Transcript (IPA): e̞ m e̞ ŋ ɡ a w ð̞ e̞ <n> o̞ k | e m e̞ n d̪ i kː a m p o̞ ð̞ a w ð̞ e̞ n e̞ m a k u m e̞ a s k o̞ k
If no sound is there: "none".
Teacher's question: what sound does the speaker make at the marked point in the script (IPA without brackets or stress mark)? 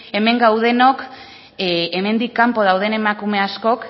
n